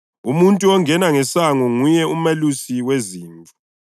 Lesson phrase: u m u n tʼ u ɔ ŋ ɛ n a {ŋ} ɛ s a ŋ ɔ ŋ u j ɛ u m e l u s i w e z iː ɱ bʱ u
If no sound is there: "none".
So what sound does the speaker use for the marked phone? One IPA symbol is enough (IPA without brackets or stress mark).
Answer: ŋ